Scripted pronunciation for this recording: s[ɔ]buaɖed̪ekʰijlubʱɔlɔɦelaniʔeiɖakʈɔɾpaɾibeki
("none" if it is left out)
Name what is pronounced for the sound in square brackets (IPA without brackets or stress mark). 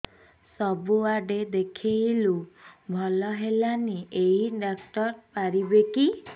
ɔ